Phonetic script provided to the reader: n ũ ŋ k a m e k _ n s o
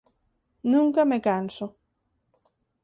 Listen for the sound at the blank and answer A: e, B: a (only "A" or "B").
B